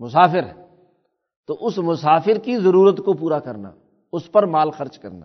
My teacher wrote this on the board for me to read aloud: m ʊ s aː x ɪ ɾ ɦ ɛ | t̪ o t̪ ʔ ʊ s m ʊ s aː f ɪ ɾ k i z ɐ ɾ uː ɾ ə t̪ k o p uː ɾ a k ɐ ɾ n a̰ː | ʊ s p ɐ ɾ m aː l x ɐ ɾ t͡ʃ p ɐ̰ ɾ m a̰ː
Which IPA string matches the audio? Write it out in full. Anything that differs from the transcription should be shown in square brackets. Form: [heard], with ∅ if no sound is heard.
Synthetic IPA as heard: m ʊ s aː [f] ɪ ɾ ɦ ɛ | t̪ o [∅] ʔ ʊ s m ʊ s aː f ɪ ɾ k i z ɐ ɾ uː ɾ ə t̪ k o p uː ɾ a k ɐ ɾ n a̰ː | ʊ s p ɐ ɾ m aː l x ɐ ɾ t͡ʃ [k] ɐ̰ ɾ [n] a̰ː